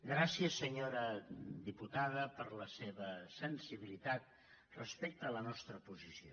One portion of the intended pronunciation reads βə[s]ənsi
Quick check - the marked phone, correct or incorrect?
correct